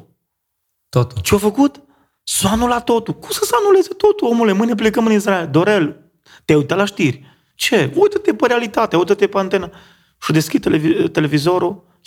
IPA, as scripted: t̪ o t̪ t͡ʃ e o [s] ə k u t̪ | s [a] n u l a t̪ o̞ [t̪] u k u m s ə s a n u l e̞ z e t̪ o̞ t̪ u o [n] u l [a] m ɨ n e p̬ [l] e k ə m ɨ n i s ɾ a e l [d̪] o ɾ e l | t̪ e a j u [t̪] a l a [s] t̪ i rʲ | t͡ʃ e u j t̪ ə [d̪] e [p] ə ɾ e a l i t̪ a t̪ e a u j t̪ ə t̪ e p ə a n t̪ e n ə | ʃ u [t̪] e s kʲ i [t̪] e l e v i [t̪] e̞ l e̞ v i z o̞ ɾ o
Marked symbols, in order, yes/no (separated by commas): no, yes, yes, no, no, yes, yes, yes, no, no, yes, no, yes, yes